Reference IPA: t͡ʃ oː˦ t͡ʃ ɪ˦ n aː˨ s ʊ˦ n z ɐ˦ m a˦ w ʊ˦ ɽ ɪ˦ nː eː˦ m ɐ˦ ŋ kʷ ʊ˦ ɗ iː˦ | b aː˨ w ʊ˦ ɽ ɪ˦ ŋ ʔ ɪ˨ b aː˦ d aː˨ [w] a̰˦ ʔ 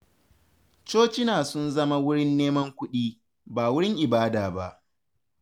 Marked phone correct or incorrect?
incorrect